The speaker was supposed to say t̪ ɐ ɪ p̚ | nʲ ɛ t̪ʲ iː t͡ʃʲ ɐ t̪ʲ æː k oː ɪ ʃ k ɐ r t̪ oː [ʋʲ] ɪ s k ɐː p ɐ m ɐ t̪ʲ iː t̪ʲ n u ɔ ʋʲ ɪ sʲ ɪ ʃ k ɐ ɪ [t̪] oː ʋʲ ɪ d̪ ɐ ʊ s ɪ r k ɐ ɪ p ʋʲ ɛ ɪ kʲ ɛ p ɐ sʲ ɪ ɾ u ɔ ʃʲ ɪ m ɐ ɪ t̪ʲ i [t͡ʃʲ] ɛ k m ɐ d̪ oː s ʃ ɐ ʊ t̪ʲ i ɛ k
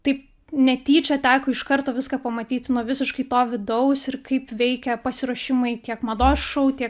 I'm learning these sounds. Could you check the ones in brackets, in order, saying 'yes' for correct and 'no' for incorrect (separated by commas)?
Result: yes, yes, no